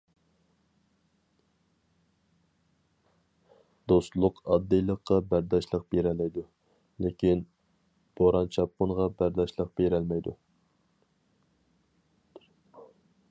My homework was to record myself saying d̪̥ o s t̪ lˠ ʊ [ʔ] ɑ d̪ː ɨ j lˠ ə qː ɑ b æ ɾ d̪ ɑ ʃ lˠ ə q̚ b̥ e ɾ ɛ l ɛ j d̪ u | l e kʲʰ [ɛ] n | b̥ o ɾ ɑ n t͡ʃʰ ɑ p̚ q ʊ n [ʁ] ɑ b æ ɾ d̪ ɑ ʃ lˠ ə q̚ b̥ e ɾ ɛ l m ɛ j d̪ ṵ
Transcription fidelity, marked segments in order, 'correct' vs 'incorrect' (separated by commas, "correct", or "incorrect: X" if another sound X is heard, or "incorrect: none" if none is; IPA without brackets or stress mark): incorrect: q, incorrect: i, correct